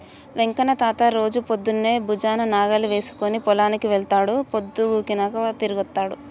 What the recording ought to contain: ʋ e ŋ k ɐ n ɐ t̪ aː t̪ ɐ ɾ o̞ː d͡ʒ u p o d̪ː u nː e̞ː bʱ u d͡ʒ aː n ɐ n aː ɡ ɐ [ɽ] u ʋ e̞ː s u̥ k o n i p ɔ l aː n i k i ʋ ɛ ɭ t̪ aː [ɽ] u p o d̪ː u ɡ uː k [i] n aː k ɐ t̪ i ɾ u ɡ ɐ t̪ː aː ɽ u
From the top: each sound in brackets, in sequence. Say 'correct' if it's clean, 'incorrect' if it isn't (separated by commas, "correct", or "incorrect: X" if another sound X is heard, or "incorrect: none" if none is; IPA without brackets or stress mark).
incorrect: l, correct, correct